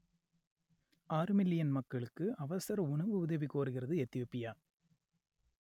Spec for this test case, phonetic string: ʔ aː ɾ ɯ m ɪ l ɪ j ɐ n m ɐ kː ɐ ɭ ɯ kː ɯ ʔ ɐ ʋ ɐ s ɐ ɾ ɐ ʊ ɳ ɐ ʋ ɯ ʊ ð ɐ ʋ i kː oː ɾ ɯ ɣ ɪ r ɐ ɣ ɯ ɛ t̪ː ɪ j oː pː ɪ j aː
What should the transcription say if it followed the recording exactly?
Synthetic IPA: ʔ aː ɾ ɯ m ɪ l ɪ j ɐ n m ɐ kː ɐ ɭ ɯ kː ɯ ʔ ɐ ʋ ɐ s ɐ ɾ ɐ ʊ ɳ ɐ ʋ ɯ ʊ ð ɐ ʋ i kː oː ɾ ɯ ɣ ɪ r ɐ ð ɯ ɛ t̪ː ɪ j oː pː ɪ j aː